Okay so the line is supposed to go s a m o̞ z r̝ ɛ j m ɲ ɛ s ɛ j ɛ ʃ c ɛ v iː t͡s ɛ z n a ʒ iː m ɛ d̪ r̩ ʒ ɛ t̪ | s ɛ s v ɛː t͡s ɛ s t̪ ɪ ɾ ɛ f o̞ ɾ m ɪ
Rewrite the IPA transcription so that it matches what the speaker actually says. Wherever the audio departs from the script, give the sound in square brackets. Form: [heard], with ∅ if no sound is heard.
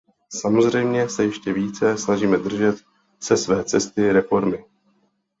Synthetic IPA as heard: s a m o̞ z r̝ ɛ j m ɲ ɛ s ɛ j ɛ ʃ c ɛ v iː t͡s ɛ [s] n a ʒ iː m ɛ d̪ r̩ ʒ ɛ t̪ | s ɛ s v ɛː t͡s ɛ s t̪ ɪ ɾ ɛ f o̞ ɾ m ɪ